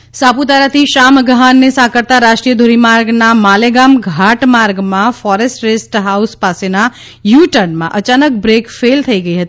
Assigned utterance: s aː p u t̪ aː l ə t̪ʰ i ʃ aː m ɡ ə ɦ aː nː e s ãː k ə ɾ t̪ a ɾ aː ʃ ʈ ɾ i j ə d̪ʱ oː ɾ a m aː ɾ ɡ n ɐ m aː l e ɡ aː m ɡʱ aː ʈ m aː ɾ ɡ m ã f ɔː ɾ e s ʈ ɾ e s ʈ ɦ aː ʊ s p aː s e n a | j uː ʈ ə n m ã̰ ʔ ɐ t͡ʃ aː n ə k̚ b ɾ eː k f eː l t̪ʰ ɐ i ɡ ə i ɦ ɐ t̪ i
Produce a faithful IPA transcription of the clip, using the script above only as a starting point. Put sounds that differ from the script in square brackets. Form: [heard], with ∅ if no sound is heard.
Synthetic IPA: s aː p u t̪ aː [ɾ] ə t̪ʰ i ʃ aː m ɡ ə ɦ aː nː e s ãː k ə ɾ t̪ a ɾ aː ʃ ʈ ɾ i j ə d̪ʱ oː ɾ [i] m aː ɾ ɡ n [a] m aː l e ɡ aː m ɡʱ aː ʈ m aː ɾ ɡ m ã f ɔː ɾ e s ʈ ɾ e s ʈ ɦ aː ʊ s p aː s e n a | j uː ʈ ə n m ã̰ ʔ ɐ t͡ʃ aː n ə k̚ b ɾ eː k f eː l t̪ʰ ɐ i ɡ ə i ɦ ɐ t̪ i